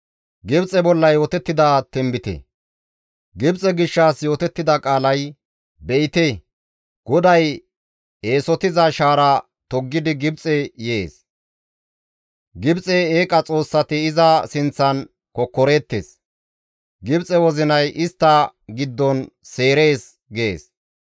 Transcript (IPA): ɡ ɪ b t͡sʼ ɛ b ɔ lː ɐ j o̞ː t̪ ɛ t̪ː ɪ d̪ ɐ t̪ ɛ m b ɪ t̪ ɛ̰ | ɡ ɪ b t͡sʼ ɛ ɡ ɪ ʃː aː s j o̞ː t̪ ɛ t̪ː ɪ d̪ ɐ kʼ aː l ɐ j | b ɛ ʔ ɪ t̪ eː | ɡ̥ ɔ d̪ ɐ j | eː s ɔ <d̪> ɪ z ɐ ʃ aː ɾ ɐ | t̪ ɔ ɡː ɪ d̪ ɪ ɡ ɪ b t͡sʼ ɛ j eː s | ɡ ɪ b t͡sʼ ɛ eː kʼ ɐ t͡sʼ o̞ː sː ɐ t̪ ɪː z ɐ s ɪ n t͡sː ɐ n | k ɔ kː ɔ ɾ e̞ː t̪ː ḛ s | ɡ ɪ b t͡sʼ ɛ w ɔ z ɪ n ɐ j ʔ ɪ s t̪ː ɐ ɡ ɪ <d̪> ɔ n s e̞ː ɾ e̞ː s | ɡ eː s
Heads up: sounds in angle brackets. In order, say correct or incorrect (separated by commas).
incorrect, incorrect